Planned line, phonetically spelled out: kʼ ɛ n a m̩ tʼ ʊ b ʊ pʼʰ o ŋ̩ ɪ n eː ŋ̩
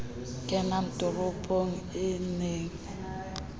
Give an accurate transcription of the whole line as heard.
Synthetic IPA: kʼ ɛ n a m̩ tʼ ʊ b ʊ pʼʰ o ŋ̩ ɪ n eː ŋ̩